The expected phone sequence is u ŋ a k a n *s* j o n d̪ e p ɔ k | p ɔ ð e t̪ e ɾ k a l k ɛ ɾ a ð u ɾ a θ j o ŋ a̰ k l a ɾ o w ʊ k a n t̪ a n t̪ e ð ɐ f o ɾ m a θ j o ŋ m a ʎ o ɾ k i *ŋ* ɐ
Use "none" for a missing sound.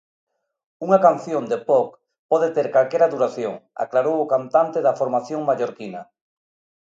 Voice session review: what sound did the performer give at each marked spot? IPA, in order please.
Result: θ, n

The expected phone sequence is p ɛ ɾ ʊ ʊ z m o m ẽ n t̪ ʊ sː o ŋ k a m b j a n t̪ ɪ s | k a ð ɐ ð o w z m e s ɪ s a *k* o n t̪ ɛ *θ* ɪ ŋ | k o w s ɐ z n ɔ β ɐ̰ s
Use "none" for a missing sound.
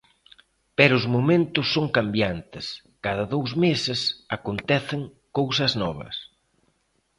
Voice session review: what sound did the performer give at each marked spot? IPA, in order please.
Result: k, θ

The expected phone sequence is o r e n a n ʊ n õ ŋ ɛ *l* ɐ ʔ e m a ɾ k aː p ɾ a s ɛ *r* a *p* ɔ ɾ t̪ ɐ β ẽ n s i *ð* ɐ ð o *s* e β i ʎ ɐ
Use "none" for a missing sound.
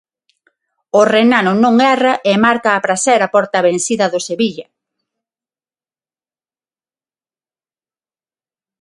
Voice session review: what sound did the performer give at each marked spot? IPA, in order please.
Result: r, ɾ, p, ð, s

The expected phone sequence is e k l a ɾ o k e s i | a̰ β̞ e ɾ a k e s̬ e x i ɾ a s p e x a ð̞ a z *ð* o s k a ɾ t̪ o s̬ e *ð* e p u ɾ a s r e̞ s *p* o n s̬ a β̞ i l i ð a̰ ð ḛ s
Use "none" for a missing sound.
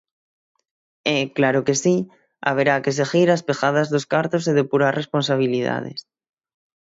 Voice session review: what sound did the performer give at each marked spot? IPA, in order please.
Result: ð, ð, p

